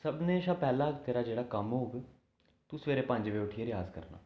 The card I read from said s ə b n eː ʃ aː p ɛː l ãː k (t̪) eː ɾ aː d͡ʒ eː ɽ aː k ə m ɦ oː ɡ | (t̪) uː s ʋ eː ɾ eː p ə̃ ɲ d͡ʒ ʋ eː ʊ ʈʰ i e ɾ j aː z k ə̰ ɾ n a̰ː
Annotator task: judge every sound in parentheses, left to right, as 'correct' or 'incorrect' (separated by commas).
correct, correct